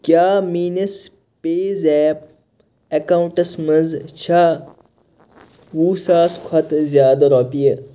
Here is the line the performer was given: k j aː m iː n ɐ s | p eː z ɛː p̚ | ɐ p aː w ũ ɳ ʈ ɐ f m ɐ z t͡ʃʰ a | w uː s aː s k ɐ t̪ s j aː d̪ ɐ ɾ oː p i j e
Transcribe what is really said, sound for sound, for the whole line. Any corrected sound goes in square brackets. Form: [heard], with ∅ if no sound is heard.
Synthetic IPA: k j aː m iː n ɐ s | p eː z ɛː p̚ | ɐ [k] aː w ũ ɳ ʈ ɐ [s] m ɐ z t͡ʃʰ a | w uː s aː s [kʰ] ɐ t̪ [z] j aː d̪ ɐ ɾ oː p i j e

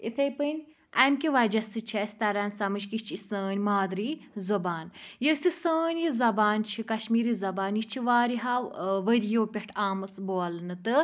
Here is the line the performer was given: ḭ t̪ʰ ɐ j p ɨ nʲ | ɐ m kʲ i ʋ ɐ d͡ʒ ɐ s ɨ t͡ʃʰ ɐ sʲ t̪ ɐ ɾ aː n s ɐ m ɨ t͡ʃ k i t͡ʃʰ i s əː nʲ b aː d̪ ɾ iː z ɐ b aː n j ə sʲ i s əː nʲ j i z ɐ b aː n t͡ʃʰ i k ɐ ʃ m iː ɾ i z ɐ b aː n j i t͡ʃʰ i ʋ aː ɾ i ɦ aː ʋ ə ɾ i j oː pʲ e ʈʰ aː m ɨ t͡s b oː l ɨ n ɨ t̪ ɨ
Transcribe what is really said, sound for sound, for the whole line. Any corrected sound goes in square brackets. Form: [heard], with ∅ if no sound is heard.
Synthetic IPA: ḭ t̪ʰ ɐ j p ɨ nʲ | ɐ m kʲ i ʋ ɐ d͡ʒ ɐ s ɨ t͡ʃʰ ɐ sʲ t̪ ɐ ɾ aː n s ɐ m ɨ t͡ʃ k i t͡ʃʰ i s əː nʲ [m] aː d̪ ɾ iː z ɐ b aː n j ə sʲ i s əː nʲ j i z ɐ b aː n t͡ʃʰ i k ɐ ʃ m iː ɾ i z ɐ b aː n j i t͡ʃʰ i ʋ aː ɾ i ɦ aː ʋ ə ɾ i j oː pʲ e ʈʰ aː m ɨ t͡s b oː l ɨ n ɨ t̪ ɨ

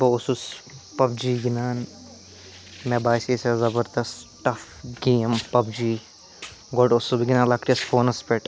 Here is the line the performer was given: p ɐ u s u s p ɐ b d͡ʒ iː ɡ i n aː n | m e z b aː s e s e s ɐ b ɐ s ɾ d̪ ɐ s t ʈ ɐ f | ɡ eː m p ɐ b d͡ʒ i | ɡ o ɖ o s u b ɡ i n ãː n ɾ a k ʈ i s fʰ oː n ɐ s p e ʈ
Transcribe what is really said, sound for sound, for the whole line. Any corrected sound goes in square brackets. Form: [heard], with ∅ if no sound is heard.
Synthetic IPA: [b] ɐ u s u s p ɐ b d͡ʒ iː ɡ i n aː n | m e [∅] b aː s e s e [z] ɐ b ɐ [∅] ɾ d̪ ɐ s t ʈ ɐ f | ɡ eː m p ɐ b d͡ʒ i | ɡ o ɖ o s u b ɡ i n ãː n [l] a k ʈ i s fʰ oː n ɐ s p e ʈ

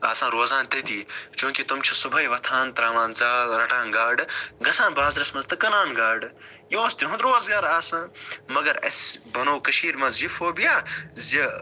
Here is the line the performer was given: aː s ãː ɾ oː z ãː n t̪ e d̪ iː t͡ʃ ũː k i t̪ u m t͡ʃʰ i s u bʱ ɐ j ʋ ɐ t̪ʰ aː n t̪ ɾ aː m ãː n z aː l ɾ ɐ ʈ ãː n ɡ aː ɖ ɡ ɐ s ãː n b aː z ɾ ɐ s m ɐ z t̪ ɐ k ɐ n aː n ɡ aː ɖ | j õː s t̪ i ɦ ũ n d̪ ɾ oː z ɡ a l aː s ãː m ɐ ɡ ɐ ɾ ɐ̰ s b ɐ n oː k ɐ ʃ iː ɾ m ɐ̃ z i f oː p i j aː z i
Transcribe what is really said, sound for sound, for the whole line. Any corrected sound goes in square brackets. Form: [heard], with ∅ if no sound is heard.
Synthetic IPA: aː s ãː ɾ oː z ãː n t̪ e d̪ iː t͡ʃ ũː k i t̪ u m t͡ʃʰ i s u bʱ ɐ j ʋ ɐ t̪ʰ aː n t̪ ɾ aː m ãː n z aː l ɾ ɐ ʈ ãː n ɡ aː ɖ ɡ ɐ s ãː n b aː z ɾ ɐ s m ɐ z t̪ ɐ k ɐ n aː n ɡ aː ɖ | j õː s t̪ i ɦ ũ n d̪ ɾ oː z ɡ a [ɾ] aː s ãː m ɐ ɡ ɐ ɾ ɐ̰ s b ɐ n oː k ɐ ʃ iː ɾ m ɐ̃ z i f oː [b] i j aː z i

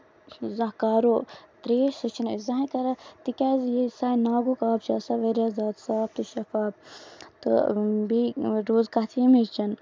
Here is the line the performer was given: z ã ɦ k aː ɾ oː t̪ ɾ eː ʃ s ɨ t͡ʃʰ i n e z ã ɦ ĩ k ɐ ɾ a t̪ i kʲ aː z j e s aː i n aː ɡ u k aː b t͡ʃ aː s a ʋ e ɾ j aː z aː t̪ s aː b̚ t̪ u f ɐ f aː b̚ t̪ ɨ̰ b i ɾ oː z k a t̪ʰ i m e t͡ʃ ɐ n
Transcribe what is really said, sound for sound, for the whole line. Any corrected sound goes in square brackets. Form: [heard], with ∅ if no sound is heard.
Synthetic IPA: z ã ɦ k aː ɾ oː t̪ ɾ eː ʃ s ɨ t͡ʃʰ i n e z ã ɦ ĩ k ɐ ɾ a t̪ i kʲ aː z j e s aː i n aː ɡ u k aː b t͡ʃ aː s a ʋ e ɾ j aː z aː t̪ s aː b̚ t̪ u [ʃ] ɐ f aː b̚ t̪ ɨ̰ b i ɾ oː z k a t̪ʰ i m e t͡ʃ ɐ n

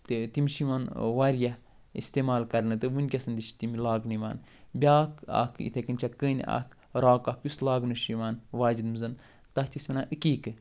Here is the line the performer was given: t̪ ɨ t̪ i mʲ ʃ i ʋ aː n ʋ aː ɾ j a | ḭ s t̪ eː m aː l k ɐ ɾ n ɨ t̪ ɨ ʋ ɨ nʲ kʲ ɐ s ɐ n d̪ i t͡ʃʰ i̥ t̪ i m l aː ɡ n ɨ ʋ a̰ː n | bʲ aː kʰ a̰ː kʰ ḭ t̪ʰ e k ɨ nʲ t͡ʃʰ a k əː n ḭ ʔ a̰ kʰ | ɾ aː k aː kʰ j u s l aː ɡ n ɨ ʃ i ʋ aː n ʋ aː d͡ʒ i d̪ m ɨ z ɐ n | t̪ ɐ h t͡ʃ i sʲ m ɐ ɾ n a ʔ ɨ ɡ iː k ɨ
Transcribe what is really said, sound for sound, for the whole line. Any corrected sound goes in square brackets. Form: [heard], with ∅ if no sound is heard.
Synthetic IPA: t̪ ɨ t̪ i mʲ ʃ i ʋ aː n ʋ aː ɾ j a | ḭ s t̪ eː m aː l k ɐ ɾ n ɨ t̪ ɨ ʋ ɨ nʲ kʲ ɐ s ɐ n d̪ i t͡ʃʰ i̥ t̪ i m l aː ɡ n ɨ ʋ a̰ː n | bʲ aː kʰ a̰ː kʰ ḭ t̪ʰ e k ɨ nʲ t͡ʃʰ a k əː n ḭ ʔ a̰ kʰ | ɾ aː k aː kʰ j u s l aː ɡ n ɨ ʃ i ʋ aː n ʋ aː d͡ʒ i d̪ m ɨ z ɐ n | t̪ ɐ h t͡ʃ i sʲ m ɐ [∅] n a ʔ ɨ [k] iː k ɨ

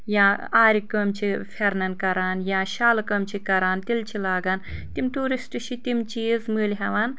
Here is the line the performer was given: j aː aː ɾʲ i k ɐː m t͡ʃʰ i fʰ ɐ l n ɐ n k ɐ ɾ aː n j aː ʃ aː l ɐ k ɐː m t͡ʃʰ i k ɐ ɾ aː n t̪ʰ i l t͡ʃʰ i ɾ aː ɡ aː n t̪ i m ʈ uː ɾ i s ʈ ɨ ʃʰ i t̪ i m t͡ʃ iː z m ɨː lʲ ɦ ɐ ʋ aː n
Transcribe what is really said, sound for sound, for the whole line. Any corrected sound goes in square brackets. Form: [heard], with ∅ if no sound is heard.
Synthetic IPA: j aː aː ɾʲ i k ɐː m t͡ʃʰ i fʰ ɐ [ɾ] n ɐ n k ɐ ɾ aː n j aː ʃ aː l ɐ k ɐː m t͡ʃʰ i k ɐ ɾ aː n [t̪] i l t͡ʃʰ i [l] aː ɡ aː n t̪ i m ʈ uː ɾ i s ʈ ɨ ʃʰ i t̪ i m t͡ʃ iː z m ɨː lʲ ɦ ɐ ʋ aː n

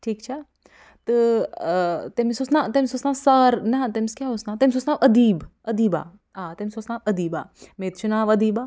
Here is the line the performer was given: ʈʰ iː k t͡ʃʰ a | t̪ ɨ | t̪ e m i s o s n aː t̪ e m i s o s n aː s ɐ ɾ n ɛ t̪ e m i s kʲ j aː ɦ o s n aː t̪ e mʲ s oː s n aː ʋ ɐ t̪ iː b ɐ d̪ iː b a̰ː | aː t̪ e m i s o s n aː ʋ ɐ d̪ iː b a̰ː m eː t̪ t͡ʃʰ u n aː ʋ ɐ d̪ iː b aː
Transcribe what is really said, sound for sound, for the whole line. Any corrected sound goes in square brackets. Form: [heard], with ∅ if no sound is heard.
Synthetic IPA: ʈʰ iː k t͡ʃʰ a | t̪ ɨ | t̪ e m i s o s n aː t̪ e m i s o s n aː s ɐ ɾ n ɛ t̪ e m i s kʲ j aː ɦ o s n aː t̪ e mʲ s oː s n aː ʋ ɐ [d̪] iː b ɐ d̪ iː b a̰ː | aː t̪ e m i s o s n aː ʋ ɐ d̪ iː b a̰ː m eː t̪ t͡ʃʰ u n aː ʋ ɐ d̪ iː b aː

